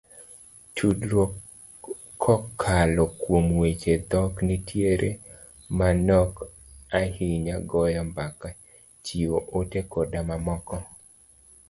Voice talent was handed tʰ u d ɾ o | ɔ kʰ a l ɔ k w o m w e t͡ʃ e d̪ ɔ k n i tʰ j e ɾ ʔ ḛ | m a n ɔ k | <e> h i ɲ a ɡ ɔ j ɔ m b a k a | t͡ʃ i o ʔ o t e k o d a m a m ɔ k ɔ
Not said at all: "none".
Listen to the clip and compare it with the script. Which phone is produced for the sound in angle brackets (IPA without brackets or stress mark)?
a